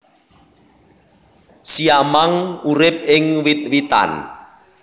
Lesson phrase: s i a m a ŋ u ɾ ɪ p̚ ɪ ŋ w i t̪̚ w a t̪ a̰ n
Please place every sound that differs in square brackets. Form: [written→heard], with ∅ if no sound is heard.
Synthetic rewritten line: s i a m a ŋ u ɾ ɪ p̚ ɪ ŋ w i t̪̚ w [a→i] t̪ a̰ n